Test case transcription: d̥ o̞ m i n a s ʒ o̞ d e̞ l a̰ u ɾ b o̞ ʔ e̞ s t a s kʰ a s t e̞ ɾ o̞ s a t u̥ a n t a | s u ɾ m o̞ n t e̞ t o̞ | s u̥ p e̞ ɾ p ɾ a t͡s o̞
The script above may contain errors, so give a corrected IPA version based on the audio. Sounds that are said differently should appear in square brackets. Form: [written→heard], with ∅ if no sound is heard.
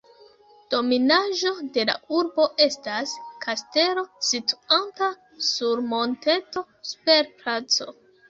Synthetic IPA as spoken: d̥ o̞ m i n a [s→∅] ʒ o̞ d e̞ l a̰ u ɾ b o̞ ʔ e̞ s t a s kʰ a s t e̞ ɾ o̞ s [a→i] t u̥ a n t a | s u ɾ m o̞ n t e̞ t o̞ | s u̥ p e̞ ɾ p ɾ a t͡s o̞